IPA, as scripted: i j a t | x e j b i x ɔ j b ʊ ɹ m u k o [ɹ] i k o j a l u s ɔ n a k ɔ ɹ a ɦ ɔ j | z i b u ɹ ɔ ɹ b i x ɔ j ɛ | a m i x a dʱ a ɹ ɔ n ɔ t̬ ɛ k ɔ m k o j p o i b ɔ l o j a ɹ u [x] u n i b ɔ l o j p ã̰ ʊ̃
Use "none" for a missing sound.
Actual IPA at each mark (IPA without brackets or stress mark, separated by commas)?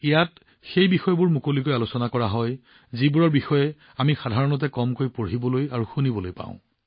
l, x